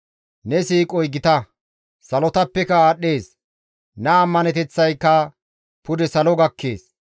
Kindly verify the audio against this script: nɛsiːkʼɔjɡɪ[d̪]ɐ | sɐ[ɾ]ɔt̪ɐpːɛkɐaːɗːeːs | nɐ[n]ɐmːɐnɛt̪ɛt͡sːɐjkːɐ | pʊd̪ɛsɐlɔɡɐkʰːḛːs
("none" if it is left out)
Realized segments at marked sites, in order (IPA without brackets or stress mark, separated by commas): t̪, l, none